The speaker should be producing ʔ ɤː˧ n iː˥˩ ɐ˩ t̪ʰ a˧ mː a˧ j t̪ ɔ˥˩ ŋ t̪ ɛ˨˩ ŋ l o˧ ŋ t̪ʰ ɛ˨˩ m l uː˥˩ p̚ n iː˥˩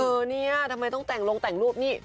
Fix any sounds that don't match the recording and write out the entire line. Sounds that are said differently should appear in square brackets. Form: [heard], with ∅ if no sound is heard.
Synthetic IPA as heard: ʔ ɤː˧ n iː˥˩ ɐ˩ t̪ʰ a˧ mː a˧ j t̪ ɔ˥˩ ŋ t̪ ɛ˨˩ ŋ l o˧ ŋ [t̪] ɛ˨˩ [ŋ] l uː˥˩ p̚ n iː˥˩